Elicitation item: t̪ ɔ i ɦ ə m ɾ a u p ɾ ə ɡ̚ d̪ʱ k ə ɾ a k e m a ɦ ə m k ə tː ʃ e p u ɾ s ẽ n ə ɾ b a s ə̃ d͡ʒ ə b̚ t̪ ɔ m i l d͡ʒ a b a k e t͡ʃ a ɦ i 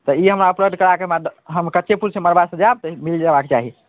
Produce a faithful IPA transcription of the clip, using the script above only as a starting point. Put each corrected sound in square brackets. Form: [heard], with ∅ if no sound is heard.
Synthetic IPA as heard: t̪ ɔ i ɦ ə m ɾ a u p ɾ ə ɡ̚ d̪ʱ k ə ɾ a k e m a ɦ ə m k ə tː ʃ e p u ɾ s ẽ [m] ə ɾ b a s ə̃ d͡ʒ [a] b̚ t̪ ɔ m i l d͡ʒ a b a k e t͡ʃ a ɦ i